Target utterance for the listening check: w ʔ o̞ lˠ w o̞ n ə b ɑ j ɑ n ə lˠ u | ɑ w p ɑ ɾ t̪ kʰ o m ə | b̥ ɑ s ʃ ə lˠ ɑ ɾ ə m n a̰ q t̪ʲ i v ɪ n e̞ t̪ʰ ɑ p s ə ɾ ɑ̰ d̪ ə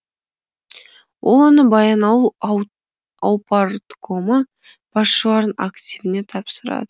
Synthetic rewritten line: w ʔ o̞ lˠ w o̞ n ə b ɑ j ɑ n ɑ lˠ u | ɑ w p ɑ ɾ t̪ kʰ o m ə | b̥ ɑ s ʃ ə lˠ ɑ ɾ ə n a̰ k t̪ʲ i v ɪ n e̞ t̪ʰ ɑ p s ə ɾ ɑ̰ d̪ ə